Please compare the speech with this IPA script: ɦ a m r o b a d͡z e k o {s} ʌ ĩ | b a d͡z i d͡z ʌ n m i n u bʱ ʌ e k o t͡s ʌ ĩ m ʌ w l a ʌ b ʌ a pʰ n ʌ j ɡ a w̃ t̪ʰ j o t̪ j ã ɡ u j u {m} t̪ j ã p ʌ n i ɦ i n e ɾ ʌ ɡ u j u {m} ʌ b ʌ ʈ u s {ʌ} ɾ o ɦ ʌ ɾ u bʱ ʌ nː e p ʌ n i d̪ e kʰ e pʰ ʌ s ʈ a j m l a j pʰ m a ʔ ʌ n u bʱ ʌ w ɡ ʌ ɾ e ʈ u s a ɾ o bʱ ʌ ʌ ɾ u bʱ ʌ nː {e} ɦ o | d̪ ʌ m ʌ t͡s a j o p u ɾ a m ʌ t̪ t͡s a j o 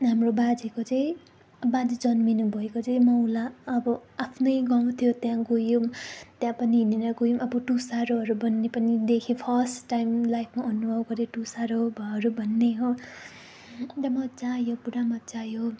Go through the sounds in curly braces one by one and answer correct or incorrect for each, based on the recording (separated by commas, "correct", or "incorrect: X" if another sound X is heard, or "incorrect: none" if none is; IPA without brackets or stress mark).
incorrect: t͡s, correct, correct, incorrect: a, correct